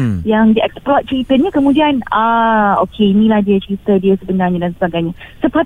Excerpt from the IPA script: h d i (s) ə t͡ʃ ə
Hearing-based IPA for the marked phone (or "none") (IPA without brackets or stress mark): none